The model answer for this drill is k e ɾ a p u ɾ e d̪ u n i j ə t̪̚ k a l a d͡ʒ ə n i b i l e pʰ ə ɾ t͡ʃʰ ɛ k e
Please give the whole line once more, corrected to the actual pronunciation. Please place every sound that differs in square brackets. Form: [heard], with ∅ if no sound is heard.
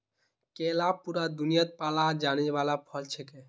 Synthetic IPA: k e [l] a p u ɾ [a] d̪ u n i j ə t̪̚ [p] a l a d͡ʒ [a] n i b [a] l [a] pʰ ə [l] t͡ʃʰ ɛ k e

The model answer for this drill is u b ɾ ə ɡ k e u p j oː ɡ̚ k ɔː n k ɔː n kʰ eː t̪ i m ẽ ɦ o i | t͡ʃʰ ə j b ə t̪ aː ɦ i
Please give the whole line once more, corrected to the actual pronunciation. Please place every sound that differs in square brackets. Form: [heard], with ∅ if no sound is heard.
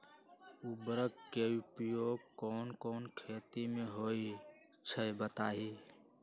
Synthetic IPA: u b ɾ ə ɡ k e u p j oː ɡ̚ k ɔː n k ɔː n kʰ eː t̪ i m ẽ ɦ o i | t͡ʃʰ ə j b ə t̪ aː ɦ i

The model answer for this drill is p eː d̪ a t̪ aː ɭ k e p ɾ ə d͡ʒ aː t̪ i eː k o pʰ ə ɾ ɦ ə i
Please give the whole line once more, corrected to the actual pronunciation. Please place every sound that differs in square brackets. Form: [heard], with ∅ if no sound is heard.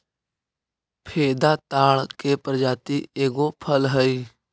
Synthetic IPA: [pʰ] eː d̪ a t̪ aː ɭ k e p ɾ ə d͡ʒ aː t̪ i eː [ɡ] o pʰ ə [l] ɦ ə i

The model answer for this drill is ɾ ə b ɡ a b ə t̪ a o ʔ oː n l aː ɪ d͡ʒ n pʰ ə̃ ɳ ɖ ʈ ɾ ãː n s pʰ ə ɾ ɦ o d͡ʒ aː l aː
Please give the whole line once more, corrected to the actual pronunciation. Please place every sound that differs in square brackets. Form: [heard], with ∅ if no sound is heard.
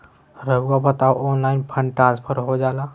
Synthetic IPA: ɾ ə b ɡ a b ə t̪ a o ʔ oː n l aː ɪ [∅] n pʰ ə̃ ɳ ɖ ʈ ɾ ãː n s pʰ ə ɾ ɦ o d͡ʒ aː l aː

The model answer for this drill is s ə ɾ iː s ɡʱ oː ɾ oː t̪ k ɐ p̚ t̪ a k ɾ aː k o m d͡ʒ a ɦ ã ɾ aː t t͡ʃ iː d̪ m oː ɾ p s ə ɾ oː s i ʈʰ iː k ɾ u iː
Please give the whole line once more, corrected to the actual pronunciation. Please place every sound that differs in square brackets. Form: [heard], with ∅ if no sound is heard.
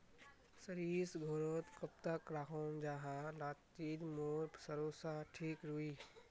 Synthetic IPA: s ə ɾ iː s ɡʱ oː ɾ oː t̪ k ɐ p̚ t̪ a k ɾ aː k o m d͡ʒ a ɦ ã [l] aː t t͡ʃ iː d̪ m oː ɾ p s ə ɾ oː s [a] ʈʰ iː k ɾ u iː

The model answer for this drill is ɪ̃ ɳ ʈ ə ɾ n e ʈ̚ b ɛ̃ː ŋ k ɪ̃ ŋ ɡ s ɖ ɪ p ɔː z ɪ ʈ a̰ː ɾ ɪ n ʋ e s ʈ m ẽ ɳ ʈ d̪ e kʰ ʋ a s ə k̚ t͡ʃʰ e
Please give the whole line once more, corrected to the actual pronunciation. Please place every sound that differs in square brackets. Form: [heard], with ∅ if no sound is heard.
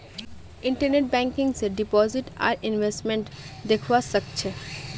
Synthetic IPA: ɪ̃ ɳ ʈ ə ɾ n e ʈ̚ b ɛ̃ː ŋ k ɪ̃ ŋ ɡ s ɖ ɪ p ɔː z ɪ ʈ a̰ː ɾ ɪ n ʋ e s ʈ m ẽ ɳ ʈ d̪ e kʰ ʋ a s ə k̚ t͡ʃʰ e

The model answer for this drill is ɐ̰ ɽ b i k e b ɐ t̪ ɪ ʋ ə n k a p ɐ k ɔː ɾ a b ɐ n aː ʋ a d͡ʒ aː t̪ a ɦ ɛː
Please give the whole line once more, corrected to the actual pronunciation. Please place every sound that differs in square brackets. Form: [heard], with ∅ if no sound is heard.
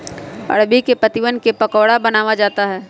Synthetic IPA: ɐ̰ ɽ b i k e [p] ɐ t̪ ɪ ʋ ə n k [e] p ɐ k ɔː [ɽ] a b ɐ n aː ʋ a d͡ʒ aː t̪ a ɦ ɛː

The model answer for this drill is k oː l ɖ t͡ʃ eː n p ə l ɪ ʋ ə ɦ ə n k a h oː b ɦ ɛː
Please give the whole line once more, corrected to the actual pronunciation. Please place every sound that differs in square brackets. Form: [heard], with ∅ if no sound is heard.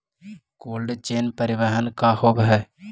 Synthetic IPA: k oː l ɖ t͡ʃ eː n p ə [ɾ] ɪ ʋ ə ɦ ə n k a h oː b ɦ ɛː

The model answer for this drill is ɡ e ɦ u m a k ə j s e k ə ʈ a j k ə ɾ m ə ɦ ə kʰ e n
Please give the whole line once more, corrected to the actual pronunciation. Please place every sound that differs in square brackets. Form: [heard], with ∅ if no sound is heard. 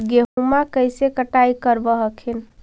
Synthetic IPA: ɡ e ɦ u m a k ə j s e k ə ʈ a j k ə ɾ [b] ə ɦ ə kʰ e n

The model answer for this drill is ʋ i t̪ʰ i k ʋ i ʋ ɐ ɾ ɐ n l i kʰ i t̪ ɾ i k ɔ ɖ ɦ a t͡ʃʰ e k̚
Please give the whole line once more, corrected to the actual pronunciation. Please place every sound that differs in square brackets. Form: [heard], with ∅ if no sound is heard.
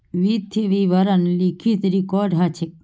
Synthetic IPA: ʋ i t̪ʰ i [∅] ʋ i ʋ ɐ ɾ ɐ n l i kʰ i t̪ ɾ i k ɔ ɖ ɦ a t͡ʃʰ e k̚

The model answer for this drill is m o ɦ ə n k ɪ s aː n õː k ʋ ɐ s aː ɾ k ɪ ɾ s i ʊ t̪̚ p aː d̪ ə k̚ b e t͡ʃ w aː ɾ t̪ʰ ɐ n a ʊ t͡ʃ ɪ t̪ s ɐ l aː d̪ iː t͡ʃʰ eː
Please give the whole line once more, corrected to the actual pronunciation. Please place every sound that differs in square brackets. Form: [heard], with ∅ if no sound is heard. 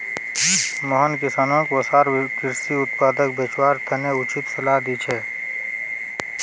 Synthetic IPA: m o ɦ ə n k ɪ s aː n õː k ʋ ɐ s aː ɾ k ɪ ɾ s i ʊ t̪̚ p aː d̪ ə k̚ b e t͡ʃ w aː ɾ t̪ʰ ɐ n [e] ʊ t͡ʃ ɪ t̪ s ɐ l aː d̪ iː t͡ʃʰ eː

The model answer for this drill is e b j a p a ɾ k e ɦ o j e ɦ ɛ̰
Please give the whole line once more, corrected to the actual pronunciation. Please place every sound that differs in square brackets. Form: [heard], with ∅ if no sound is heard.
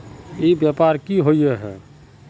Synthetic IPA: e b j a p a ɾ k [i] ɦ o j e ɦ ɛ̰

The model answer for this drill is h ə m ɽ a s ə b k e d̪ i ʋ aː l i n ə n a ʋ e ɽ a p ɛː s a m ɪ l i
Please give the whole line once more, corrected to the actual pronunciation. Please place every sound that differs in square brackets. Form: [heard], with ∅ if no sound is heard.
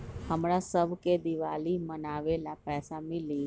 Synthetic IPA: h ə m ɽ a s ə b k e d̪ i ʋ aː l i [m] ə n a ʋ e [l] a p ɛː s a m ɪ l i

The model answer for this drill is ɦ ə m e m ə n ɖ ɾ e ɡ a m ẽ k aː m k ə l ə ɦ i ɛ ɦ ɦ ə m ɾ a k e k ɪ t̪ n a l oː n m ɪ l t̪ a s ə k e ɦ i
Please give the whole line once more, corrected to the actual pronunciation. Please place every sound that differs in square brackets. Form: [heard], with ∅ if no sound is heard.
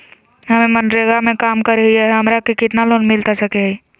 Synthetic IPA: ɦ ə m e m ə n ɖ ɾ e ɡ a m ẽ k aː m k ə [ɾ] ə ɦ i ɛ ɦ ɦ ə m ɾ a k e k ɪ t̪ n a l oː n m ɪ l t̪ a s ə k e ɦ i

